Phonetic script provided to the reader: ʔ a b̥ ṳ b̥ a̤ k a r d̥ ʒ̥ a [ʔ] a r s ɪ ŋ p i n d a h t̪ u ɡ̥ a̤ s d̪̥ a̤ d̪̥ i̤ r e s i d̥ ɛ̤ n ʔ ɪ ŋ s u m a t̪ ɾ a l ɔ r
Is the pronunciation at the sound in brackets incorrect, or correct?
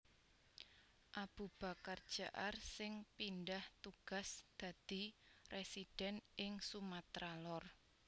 correct